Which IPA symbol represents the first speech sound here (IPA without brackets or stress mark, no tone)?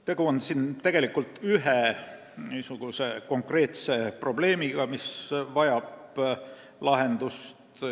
t̪